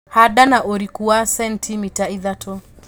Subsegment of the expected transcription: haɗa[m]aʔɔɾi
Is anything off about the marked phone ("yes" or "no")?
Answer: yes